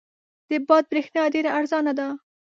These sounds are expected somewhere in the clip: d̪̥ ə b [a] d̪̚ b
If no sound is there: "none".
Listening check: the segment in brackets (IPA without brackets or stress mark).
ɑ